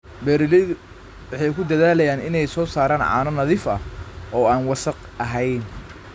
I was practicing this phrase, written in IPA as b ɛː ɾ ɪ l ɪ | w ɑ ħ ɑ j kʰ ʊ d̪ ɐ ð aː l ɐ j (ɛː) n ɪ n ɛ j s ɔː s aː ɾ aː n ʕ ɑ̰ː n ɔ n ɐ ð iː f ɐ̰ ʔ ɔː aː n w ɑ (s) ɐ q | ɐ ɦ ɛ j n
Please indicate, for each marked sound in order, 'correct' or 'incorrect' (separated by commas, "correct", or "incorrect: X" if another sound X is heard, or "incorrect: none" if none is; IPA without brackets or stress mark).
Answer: incorrect: aː, correct